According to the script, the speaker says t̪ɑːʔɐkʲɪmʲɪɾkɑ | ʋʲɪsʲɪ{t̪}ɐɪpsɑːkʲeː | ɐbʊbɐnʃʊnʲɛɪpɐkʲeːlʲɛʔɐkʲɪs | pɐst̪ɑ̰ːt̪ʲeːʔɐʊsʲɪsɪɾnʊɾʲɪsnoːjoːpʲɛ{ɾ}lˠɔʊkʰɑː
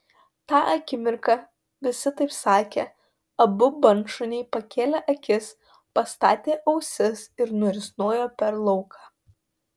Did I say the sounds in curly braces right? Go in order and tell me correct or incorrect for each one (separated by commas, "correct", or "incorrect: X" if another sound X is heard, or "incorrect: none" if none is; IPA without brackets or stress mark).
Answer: correct, correct